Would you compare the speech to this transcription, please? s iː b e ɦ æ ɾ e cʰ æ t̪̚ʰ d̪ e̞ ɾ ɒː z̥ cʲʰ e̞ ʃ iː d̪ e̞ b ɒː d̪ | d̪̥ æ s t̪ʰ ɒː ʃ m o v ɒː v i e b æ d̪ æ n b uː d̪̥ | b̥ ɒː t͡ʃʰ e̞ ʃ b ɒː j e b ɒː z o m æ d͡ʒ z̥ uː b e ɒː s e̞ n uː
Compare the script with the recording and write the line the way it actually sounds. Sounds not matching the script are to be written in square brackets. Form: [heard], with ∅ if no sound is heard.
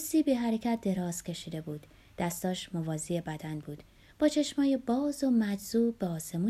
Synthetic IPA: s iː b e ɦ æ ɾ e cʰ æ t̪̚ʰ d̪ e̞ ɾ ɒː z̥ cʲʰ e̞ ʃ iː d̪ e̞ b [uː] d̪ | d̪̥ æ s [t̪] ɒː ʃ m o v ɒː [z] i e b æ d̪ æ n b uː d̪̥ | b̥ ɒː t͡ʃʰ e̞ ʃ [m] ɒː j e b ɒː z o m æ d͡ʒ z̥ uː b e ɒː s e̞ [m] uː